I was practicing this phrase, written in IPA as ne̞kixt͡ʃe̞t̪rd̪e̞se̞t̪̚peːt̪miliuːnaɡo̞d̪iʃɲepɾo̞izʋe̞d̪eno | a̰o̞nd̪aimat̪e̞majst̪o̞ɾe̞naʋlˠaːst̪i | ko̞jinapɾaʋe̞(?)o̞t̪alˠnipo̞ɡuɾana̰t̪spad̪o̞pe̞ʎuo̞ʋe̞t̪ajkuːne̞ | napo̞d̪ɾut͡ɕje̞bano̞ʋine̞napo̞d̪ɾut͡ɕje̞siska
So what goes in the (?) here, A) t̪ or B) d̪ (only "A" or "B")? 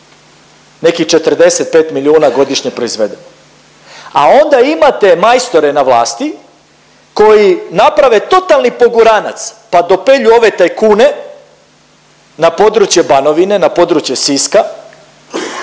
A